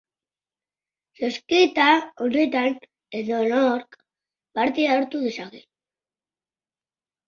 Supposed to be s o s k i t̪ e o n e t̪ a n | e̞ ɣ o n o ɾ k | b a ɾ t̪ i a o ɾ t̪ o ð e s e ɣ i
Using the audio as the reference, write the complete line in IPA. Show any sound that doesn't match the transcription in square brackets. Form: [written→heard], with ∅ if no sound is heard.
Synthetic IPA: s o s k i t̪ [e→a] o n e t̪ a n | e̞ [ɣ→ð] o n o ɾ k | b a ɾ t̪ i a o ɾ t̪ [o→u] ð e s [e→a] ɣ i